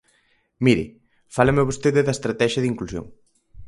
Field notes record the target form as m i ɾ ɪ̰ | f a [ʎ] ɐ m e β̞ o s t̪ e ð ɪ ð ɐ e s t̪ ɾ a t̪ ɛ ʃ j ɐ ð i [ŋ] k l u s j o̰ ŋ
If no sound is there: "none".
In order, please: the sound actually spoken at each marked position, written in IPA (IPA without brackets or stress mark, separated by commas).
l, ŋ